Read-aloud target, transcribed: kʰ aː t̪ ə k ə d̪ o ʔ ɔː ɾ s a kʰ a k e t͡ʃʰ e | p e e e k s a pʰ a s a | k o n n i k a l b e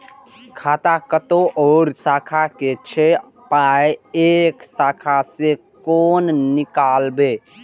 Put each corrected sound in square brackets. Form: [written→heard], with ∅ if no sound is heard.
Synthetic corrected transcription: kʰ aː t̪ [ə→a] k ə [d̪→t̪] o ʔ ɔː ɾ s a kʰ a k e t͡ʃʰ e | p [e→a] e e k s a [pʰ→kʰ] a s [a→e] | k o n n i k a l b e